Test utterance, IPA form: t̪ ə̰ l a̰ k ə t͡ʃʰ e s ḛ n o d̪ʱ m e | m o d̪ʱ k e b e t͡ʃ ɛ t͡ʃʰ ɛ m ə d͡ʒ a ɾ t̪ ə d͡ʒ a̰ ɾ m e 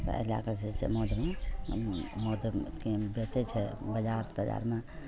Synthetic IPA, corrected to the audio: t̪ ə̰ l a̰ k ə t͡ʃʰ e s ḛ m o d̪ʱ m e | m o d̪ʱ k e b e t͡ʃ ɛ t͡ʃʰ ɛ b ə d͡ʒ a ɾ t̪ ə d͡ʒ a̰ ɾ m e